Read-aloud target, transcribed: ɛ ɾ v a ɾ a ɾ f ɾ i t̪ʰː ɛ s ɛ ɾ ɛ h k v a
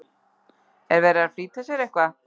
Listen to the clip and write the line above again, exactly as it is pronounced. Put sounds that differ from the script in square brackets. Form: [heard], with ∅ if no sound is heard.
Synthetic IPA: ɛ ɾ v [ɛ] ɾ a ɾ f ɾ i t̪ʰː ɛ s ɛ ɾ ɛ h k v a